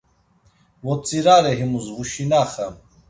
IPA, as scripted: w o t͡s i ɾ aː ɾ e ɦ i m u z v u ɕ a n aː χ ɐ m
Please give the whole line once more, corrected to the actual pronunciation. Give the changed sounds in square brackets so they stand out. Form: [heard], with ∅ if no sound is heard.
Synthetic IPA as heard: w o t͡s i ɾ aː ɾ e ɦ i m u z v u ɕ [i] n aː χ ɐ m